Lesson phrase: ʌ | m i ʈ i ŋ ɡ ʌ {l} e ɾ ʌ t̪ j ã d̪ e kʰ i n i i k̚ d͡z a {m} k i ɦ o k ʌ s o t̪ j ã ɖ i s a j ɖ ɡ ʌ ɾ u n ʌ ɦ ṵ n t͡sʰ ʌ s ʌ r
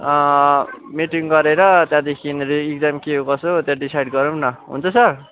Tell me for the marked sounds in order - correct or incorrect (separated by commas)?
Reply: incorrect, correct